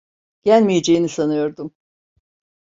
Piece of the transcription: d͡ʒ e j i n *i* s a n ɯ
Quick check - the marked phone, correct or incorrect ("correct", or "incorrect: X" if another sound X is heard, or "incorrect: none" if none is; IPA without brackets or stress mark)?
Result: correct